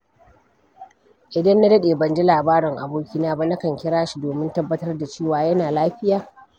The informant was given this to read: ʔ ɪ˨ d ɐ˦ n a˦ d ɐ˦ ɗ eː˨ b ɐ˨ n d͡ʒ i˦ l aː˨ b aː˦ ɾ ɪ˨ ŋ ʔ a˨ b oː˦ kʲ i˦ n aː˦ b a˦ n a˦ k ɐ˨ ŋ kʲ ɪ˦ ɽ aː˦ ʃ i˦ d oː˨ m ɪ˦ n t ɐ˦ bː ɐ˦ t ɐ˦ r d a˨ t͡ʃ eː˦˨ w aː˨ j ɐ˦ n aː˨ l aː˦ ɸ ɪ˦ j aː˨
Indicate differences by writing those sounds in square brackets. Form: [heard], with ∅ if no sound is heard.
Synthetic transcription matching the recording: ʔ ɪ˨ d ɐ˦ [nː] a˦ d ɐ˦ ɗ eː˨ b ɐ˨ n d͡ʒ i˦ l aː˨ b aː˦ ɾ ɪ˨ ŋ ʔ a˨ b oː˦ kʲ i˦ n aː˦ b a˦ n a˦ k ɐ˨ ŋ kʲ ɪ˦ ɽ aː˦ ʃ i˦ d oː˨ m ɪ˦ n t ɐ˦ bː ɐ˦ t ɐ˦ r d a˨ t͡ʃ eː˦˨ w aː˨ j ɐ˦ n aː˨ l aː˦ ɸ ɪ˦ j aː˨